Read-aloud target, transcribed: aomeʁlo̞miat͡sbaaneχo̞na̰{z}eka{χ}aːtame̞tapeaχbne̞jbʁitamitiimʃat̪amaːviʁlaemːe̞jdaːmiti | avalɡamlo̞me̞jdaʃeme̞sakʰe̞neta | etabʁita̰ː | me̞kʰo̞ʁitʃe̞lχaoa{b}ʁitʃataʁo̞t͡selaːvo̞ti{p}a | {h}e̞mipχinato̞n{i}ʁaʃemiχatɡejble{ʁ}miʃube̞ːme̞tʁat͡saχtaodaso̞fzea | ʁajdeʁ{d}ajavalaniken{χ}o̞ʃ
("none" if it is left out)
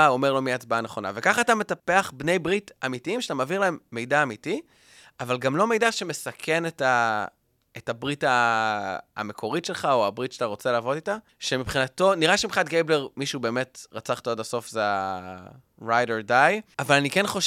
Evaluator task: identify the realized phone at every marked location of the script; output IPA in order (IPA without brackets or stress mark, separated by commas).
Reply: v, χ, b, t, ʃ, i, ʁ, d, χ